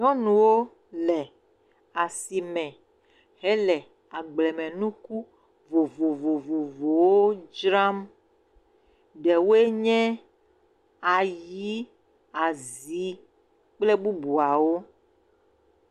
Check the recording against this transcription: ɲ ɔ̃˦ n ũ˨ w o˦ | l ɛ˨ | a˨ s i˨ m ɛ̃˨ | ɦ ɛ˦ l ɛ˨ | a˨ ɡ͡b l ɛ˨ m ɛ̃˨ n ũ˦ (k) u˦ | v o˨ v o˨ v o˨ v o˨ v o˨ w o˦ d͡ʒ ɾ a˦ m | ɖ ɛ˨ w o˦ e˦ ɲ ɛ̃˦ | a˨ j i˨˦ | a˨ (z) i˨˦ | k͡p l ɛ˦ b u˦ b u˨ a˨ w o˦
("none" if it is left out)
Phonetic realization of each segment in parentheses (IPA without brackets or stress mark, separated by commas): k, z